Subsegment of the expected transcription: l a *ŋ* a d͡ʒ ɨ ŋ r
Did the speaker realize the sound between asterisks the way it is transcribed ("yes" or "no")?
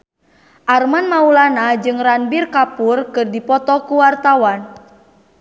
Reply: no